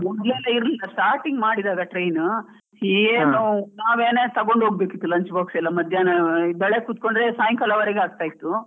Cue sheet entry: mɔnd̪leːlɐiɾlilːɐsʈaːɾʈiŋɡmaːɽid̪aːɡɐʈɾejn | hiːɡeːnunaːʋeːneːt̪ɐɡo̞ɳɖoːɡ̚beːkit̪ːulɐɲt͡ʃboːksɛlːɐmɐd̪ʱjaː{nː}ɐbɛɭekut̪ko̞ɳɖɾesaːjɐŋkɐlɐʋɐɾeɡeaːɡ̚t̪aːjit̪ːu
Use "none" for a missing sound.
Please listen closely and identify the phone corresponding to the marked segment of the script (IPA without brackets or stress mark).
n